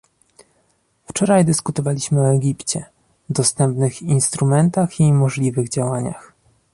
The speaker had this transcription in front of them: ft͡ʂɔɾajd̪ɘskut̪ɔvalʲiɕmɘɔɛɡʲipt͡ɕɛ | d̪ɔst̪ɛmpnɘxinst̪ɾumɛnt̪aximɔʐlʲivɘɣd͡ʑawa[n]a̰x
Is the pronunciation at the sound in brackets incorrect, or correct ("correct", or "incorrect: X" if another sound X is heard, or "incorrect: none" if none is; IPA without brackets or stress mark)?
incorrect: ɲ